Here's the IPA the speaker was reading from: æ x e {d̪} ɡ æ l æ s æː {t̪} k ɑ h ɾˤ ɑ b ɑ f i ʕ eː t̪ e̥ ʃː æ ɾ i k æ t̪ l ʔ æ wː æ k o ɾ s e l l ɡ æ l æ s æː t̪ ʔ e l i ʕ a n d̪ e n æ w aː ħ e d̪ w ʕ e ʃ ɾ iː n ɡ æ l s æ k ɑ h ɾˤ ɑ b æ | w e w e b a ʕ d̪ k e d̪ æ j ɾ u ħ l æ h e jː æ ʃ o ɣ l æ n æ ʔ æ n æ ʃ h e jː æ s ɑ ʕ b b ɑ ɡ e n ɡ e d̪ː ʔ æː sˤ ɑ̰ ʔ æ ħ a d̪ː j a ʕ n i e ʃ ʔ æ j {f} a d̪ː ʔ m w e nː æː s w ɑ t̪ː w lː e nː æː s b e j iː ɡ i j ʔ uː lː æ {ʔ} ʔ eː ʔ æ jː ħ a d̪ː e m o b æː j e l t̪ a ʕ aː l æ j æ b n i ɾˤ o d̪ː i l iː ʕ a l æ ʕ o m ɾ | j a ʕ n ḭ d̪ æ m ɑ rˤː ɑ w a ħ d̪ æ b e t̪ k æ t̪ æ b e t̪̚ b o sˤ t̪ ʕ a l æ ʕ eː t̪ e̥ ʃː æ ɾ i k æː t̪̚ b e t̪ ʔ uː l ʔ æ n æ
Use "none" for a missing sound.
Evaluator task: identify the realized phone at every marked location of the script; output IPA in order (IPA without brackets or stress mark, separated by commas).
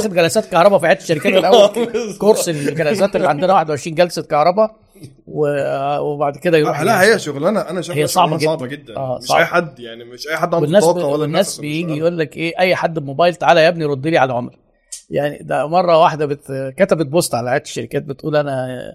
d̪, t̪, ħ, k